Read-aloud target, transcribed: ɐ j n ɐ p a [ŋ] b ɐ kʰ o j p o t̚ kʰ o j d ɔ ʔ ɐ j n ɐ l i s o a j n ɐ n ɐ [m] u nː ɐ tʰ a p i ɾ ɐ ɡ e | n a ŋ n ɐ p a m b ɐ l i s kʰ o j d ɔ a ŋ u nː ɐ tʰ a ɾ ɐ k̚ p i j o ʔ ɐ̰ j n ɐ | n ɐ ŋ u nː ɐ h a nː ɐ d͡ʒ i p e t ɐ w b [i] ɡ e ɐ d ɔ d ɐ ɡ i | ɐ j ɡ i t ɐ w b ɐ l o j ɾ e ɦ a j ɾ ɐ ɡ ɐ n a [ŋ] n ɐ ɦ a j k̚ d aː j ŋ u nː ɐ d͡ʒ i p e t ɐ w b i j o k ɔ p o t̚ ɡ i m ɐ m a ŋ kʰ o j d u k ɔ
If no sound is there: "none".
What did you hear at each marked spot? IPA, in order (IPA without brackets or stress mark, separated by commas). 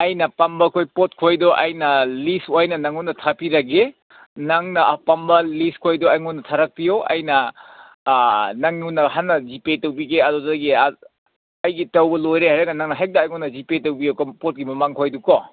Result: m, ŋ, i, ŋ